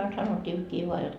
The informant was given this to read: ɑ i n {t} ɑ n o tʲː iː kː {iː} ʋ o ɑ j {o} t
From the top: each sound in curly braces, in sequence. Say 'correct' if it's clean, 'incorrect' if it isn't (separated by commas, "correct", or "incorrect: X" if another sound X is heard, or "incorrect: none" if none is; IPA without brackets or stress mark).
incorrect: s, correct, correct